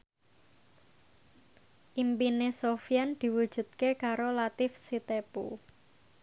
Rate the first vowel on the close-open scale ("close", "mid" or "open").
close